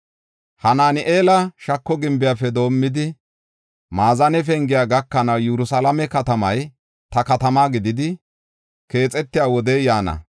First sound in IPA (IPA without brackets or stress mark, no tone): h